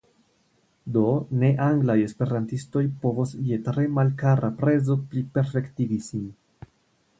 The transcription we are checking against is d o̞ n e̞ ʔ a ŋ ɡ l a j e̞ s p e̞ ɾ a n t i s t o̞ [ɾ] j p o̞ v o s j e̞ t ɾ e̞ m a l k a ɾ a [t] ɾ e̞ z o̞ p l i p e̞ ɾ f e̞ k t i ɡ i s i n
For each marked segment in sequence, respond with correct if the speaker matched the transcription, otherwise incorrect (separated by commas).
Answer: incorrect, incorrect